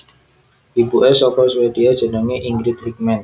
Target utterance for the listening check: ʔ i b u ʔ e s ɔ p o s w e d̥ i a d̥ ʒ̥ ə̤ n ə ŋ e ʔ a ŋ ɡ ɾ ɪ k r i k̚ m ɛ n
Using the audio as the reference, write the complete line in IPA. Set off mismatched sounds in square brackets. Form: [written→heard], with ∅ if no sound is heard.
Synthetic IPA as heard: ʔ i b u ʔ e s ɔ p [o→ɔ] s w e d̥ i a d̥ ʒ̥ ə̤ n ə ŋ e ʔ [a→i] ŋ ɡ ɾ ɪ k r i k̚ m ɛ n